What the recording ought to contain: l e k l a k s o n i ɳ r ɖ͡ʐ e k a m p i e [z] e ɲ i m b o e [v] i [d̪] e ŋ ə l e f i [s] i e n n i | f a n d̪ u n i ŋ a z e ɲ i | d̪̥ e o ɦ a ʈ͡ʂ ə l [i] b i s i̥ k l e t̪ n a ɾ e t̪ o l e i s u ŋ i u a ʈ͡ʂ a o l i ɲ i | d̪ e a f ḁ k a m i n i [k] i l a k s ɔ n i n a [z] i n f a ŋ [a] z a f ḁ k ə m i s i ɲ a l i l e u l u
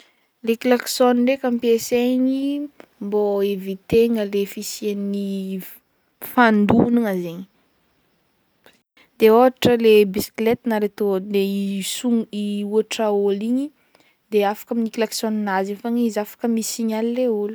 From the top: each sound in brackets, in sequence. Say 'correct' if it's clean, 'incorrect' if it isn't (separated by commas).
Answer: incorrect, correct, incorrect, correct, incorrect, correct, correct, incorrect